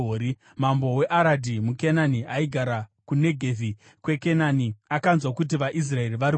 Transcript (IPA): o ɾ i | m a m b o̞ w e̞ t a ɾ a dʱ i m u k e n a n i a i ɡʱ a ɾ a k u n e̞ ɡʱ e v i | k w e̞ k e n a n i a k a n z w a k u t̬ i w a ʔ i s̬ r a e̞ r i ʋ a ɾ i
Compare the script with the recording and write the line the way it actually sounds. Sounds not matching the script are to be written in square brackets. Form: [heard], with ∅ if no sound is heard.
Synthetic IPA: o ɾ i | m a m b o̞ w e̞ [ʔ] a ɾ a dʱ i m u k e n a n i a i ɡʱ a ɾ a k u n e̞ ɡʱ e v i | k w e̞ k e n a n i a k a n z w a k u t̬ i [ʋ] a ʔ i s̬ r a e̞ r i ʋ a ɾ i